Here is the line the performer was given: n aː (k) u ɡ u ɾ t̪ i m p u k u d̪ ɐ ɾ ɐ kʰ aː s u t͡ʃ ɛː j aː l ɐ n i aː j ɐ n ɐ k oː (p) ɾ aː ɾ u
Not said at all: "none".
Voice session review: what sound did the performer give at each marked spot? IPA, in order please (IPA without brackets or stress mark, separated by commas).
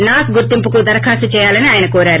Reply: k, none